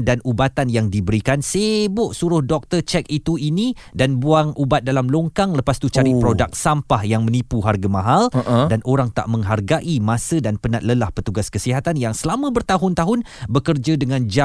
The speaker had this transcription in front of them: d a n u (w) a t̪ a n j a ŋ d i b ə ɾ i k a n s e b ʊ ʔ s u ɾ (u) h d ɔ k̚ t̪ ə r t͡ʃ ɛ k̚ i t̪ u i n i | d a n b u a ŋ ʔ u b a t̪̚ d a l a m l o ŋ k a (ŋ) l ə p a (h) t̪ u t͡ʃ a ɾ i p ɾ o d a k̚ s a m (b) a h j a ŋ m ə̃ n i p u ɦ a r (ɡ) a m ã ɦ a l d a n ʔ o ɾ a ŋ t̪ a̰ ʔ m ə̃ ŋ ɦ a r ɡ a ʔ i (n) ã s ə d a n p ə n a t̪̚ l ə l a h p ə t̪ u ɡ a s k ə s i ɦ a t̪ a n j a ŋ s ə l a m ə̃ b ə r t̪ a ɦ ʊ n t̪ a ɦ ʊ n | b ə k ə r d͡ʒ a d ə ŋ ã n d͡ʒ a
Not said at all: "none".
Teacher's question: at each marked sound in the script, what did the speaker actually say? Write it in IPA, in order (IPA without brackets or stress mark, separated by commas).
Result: b, ʊ, ŋ, s, p, ɡ, m